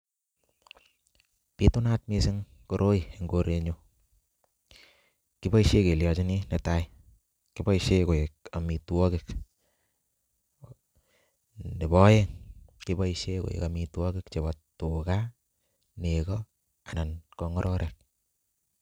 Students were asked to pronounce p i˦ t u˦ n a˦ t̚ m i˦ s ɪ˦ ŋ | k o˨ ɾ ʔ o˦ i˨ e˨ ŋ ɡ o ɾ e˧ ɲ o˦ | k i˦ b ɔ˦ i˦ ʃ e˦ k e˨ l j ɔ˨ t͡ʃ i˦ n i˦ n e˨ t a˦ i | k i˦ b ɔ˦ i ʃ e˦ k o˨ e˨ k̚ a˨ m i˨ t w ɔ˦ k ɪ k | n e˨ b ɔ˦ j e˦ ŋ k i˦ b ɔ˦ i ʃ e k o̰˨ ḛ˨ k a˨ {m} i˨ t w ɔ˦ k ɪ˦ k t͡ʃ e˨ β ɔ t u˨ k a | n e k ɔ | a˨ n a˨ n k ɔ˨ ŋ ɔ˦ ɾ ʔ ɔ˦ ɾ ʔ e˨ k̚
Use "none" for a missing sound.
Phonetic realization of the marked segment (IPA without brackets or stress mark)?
m